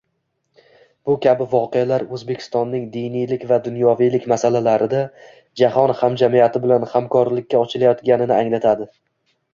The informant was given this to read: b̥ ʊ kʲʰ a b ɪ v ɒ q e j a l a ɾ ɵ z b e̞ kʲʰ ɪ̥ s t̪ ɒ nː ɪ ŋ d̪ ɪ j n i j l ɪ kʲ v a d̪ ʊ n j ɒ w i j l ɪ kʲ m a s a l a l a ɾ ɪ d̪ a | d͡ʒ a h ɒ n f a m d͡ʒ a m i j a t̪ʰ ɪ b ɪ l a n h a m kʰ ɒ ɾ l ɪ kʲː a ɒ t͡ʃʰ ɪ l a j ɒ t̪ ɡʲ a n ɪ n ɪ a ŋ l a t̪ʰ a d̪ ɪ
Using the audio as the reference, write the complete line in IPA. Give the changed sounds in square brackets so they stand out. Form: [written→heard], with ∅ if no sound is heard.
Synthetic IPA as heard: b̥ ʊ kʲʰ a b ɪ v ɒ q e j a l a ɾ ɵ z b e̞ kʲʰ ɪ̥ s t̪ ɒ nː ɪ ŋ d̪ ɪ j n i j l ɪ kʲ v a d̪ ʊ n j ɒ [w→v] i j l ɪ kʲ m a s a l a l a ɾ ɪ d̪ a | d͡ʒ a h ɒ n [f→h] a m d͡ʒ a m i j a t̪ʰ ɪ b ɪ l a n h a m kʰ ɒ ɾ l ɪ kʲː a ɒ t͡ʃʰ ɪ l a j ɒ t̪ ɡʲ a n ɪ n ɪ a ŋ l a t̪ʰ a d̪ ɪ